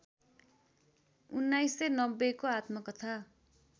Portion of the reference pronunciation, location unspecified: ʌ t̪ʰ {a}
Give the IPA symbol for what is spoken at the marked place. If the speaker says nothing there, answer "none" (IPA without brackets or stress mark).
a